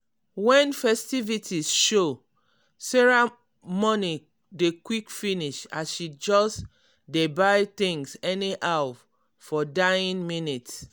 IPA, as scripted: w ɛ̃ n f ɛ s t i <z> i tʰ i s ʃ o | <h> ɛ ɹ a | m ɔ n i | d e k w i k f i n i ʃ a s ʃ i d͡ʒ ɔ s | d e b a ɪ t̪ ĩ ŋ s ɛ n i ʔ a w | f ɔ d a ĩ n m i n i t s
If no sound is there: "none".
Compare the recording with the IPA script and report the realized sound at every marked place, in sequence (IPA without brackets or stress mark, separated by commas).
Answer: v, s